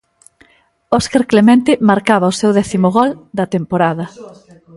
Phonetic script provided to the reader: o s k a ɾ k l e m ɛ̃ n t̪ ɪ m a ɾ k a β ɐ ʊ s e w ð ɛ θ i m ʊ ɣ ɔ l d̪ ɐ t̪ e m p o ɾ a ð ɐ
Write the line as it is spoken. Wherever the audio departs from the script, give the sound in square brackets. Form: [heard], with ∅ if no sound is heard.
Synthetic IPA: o s k a ɾ k l e m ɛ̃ n t̪ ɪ m a ɾ k a β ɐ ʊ s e w ð ɛ θ i m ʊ ɣ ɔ l d̪ ɐ t̪ e m p o ɾ a ð ɐ